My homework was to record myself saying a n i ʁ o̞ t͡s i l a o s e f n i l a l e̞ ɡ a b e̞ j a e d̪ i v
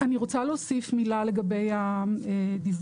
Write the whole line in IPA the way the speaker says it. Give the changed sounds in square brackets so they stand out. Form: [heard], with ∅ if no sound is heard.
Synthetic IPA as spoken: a n i ʁ o̞ t͡s [a] l [e] o s [i] f [m] i l a l e̞ ɡ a b e̞ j a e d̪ i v